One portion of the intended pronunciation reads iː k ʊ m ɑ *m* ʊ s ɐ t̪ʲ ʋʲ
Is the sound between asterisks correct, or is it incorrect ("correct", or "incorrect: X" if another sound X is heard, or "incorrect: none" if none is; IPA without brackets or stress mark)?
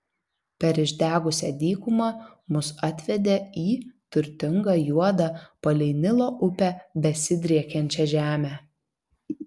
correct